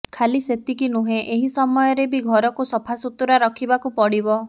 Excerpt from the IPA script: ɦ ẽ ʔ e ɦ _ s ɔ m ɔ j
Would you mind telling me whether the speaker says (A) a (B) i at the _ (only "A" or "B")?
B